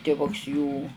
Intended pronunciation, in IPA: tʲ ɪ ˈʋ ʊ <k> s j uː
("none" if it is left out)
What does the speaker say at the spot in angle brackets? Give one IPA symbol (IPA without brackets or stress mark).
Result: k